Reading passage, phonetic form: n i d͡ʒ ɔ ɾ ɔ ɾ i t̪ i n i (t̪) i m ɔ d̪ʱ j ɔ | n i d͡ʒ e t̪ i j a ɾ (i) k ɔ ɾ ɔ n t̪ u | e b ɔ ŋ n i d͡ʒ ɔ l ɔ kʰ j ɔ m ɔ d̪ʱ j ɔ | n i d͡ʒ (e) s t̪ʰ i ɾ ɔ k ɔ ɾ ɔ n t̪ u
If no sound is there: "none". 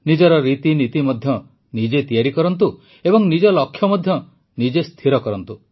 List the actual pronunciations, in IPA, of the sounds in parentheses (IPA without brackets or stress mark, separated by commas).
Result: t̪, i, e